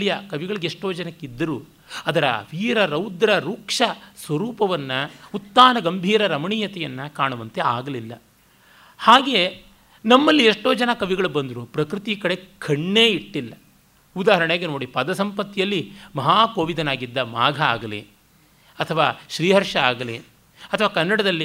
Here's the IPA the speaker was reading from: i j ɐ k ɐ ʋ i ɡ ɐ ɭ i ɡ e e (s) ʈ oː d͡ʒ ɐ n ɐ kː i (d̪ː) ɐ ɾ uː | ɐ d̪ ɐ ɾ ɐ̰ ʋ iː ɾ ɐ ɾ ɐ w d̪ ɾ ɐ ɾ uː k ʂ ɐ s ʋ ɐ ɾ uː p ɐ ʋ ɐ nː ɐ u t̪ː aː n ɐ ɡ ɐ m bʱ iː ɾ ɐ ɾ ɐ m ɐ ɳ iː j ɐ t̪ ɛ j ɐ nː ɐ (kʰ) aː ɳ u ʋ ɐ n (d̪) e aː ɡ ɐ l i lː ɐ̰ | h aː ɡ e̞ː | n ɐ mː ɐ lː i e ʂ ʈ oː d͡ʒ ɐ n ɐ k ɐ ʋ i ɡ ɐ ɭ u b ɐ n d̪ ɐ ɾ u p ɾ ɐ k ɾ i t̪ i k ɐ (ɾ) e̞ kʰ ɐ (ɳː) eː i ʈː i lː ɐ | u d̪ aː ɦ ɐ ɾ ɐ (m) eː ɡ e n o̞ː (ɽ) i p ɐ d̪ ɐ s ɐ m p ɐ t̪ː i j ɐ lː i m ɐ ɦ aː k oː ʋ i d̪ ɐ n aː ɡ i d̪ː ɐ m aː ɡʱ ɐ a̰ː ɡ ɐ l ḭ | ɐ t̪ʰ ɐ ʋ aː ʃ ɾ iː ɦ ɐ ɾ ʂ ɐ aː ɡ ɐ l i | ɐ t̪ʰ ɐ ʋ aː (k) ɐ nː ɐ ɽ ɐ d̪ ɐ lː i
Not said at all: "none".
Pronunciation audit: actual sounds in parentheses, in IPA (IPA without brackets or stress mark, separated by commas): ʂ, d̪ː, k, t̪, ɽ, ɳː, ɳ, ɽ, k